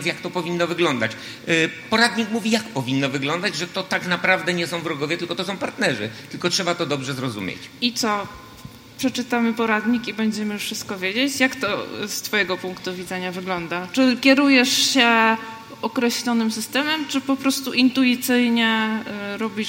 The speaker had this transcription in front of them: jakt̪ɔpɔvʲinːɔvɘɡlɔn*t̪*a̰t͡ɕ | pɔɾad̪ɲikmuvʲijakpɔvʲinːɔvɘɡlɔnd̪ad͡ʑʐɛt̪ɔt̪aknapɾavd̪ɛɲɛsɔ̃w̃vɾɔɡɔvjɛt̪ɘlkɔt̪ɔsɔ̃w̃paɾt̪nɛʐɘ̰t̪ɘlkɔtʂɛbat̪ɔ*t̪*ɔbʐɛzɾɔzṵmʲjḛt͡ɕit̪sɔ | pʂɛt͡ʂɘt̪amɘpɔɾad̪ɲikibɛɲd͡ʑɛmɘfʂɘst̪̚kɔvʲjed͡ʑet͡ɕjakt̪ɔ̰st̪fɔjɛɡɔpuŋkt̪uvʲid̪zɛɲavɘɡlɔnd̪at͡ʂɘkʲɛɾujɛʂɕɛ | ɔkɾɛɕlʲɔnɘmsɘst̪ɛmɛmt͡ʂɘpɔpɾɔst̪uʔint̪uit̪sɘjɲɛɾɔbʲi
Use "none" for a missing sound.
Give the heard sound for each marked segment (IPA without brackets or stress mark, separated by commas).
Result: d̪, d̪